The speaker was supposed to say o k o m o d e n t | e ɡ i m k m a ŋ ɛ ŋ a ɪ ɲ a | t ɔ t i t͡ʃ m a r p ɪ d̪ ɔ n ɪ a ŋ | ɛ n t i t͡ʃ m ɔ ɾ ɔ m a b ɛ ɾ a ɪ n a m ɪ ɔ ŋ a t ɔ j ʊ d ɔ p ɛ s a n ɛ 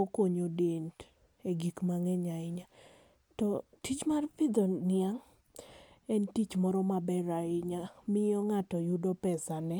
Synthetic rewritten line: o k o ɲ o d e n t | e ɡ i k m a ŋ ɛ ɲ a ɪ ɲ a | t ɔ t i t͡ʃ m a r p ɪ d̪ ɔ n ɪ a ŋ | ɛ n t i t͡ʃ m ɔ ɾ ɔ m a b ɛ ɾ a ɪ ɲ a m ɪ ɔ ŋ a t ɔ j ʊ d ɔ p ɛ s a n ɛ